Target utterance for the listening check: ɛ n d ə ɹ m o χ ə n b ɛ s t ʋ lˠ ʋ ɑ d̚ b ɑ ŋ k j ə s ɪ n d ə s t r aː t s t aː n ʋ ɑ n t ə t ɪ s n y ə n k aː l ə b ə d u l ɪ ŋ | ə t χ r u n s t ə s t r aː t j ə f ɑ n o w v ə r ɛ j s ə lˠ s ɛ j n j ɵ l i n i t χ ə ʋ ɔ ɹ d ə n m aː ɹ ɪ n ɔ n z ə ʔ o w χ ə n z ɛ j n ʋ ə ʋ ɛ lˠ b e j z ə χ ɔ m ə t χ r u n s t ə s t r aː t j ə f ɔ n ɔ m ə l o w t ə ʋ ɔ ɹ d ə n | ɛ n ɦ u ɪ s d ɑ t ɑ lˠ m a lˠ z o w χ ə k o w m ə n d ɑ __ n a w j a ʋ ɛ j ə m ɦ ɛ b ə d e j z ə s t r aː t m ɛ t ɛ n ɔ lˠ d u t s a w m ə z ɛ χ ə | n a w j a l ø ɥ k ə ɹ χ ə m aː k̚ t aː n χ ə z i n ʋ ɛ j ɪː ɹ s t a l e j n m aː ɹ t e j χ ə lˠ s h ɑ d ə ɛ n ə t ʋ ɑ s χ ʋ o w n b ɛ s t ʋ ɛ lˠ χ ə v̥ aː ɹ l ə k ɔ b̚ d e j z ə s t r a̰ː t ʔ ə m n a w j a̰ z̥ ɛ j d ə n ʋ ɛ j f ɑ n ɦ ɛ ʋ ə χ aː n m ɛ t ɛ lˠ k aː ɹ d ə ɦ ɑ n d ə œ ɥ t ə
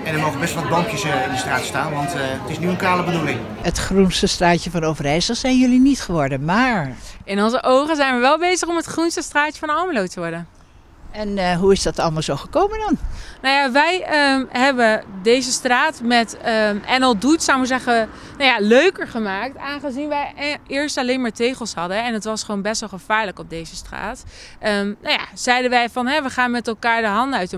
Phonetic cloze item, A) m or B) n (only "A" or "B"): B